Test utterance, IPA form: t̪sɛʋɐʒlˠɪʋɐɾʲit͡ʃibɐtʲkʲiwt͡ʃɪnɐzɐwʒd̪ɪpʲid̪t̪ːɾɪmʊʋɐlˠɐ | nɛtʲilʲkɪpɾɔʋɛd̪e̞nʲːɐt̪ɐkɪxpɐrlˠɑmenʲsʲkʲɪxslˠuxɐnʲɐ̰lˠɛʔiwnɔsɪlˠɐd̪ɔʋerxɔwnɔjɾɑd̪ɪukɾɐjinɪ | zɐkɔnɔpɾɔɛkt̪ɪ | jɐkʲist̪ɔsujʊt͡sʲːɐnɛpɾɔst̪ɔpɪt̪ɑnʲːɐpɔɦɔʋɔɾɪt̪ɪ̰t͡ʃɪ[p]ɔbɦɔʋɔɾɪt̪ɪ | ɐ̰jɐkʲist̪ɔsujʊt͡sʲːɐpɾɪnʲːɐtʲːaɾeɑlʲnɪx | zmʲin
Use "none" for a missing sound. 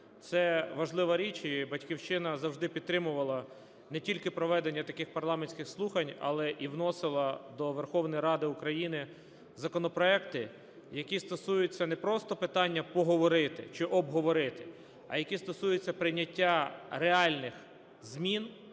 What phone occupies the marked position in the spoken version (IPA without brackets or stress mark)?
ʔ